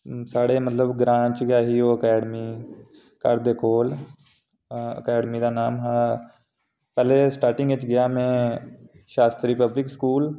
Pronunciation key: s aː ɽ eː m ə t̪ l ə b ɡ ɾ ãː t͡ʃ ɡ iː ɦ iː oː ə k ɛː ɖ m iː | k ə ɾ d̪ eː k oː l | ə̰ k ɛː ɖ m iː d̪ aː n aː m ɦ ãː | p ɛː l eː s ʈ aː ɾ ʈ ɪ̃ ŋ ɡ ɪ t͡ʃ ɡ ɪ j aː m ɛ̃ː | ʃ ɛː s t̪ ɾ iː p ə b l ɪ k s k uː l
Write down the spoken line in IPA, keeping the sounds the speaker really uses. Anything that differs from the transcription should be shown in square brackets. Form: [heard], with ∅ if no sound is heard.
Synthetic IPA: s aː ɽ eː m ə t̪ l ə b ɡ ɾ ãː t͡ʃ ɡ [aː] ɦ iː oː ə k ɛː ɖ m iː | k ə ɾ d̪ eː k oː l | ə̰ k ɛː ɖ m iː d̪ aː n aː m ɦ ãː | p ɛː l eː s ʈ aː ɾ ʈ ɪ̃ ŋ ɡ ɪ t͡ʃ ɡ ɪ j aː m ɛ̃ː | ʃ [aː] s t̪ ɾ iː p ə b l ɪ k s k uː l